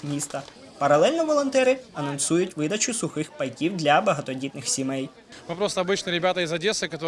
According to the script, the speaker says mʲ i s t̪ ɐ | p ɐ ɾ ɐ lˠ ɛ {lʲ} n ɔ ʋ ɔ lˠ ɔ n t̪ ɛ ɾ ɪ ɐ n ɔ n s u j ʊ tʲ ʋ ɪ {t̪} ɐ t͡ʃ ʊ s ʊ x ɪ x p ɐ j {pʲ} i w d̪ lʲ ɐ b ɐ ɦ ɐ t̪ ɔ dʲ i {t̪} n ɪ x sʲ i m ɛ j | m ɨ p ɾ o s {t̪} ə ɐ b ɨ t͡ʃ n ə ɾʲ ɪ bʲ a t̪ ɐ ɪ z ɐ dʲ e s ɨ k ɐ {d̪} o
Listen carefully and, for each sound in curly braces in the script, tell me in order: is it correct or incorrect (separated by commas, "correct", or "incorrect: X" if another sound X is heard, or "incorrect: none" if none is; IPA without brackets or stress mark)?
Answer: correct, incorrect: d̪, incorrect: kʲ, correct, correct, incorrect: t̪